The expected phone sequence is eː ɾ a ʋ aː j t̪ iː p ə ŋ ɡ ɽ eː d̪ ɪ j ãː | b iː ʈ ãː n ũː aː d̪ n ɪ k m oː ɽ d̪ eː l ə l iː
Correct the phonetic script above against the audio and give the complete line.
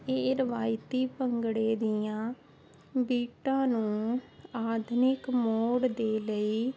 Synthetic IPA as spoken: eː ɾ ə ʋ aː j t̪ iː p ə ŋ ɡ ɽ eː d̪ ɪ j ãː | b iː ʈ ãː n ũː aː d̪ n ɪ k m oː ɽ d̪ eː l ə iː